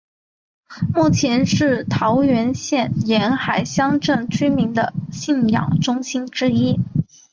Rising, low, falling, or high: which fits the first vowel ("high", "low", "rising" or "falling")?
falling